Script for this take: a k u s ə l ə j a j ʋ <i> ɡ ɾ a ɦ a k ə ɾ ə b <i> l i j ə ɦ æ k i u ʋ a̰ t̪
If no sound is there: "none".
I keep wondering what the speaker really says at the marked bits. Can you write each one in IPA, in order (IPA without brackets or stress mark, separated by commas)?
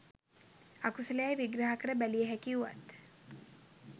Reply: i, æ